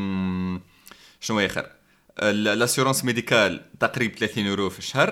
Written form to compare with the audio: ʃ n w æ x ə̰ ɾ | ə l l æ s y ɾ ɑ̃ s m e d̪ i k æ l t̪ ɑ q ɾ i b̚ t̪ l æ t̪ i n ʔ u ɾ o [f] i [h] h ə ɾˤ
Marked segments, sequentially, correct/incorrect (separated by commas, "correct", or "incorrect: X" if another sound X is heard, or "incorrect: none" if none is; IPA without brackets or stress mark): correct, incorrect: ʃ